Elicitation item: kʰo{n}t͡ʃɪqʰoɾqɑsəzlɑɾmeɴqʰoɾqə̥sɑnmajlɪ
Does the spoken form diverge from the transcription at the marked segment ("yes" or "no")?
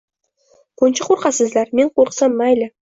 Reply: no